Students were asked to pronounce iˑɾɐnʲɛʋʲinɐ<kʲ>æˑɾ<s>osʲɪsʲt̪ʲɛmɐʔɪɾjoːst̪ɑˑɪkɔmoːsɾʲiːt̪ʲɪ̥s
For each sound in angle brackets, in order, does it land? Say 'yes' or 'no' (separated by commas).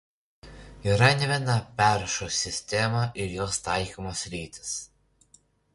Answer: no, no